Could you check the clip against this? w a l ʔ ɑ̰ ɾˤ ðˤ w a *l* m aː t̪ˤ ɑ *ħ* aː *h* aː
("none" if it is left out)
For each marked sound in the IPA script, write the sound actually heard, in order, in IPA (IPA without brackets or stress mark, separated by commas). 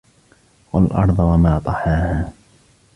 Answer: none, ħ, h